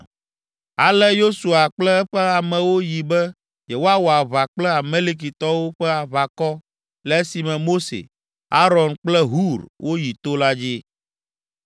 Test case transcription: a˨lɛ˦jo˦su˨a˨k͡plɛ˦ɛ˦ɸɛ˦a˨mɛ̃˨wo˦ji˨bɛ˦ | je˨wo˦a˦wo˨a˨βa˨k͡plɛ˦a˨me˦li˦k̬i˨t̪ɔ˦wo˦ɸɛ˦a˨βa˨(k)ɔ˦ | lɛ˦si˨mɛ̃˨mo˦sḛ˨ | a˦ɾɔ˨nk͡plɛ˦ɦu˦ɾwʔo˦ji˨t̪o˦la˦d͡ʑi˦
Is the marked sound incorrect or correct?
correct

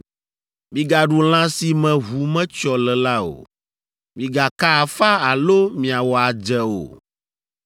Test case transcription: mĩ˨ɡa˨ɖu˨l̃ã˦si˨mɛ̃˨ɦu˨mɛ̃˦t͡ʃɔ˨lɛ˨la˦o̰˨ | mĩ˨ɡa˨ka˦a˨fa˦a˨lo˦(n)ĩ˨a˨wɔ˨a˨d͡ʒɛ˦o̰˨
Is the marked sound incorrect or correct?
incorrect: m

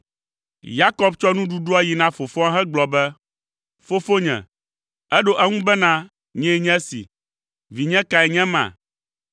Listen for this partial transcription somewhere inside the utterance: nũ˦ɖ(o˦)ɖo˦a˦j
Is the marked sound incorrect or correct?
incorrect: u˦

